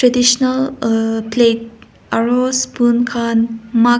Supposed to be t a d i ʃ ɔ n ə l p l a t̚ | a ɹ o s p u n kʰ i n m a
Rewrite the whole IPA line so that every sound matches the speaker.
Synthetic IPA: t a d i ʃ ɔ n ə l p l e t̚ | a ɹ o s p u n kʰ a n m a